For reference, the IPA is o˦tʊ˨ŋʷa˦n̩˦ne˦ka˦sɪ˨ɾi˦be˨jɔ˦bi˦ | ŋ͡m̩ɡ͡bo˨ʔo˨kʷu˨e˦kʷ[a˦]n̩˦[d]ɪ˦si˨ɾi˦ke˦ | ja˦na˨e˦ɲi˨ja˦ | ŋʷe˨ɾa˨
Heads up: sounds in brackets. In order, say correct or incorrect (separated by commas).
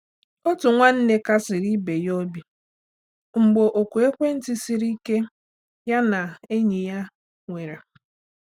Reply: incorrect, incorrect